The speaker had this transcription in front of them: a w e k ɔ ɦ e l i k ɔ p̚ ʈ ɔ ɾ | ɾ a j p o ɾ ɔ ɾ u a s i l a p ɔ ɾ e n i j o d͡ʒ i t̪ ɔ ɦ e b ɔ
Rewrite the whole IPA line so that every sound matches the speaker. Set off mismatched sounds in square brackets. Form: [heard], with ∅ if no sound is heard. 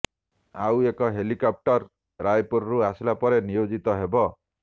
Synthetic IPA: a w e k ɔ ɦ e l i k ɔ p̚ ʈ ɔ ɾ | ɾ a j p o ɾ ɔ ɾ u a s i l a p ɔ ɾ e n i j o d͡ʒ i t̪ ɔ ɦ e b ɔ